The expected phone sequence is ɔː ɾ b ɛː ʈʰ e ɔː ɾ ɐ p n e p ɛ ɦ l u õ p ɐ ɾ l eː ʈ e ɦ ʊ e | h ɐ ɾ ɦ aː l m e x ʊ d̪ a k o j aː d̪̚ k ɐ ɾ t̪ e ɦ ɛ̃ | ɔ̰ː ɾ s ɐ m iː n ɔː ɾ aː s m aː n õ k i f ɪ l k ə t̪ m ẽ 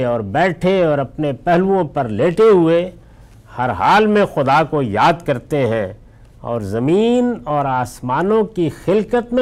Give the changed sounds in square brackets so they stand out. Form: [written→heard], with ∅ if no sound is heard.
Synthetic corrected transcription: ɔː ɾ b ɛː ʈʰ e ɔː ɾ ɐ p n e p ɛ ɦ l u õ p ɐ ɾ l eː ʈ e ɦ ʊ e | h ɐ ɾ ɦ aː l m [e→ẽ] x ʊ d̪ a k o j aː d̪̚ k ɐ ɾ t̪ e ɦ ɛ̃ | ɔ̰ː ɾ [s→z] ɐ m iː n ɔː ɾ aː s m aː n õ k i [f→x] ɪ l k ə t̪ m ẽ